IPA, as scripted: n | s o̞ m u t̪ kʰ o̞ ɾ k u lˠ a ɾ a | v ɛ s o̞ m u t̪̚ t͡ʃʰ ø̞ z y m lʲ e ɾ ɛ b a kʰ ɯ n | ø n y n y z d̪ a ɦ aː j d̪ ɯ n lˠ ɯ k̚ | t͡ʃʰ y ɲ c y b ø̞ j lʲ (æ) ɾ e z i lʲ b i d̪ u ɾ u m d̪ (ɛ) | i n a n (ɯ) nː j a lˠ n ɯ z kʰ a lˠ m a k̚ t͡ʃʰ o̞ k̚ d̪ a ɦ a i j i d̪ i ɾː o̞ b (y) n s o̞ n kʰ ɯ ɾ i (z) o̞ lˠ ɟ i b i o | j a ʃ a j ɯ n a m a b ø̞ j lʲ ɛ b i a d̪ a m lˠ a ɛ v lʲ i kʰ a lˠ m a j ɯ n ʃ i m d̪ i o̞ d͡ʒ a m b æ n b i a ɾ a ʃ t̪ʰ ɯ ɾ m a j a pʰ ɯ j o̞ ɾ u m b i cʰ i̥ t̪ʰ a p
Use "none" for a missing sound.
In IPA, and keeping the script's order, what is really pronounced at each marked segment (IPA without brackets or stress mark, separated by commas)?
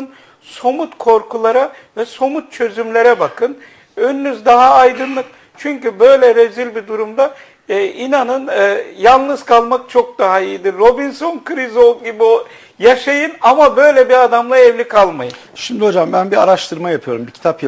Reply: ɛ, a, ɯ, i, z